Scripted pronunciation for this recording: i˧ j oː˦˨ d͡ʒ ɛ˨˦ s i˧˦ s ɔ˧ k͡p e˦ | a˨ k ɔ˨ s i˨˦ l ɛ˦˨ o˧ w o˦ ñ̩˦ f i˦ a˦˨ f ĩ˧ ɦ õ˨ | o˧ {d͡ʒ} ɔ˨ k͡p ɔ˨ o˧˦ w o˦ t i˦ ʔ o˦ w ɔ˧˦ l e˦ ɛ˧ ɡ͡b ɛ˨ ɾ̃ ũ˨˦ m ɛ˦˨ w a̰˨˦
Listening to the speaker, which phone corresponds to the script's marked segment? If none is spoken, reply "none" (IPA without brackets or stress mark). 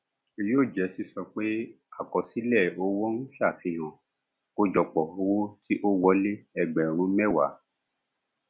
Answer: d͡ʒ